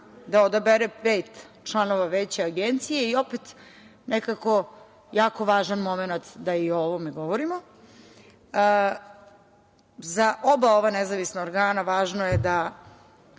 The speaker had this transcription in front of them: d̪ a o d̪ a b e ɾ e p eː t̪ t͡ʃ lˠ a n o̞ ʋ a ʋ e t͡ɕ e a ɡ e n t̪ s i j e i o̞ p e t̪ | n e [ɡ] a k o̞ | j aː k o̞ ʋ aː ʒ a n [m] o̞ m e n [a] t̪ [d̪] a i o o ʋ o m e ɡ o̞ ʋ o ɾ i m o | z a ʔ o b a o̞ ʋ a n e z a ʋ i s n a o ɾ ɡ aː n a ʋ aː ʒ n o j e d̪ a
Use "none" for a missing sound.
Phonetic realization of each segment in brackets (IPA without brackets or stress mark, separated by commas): k, m, a, d̪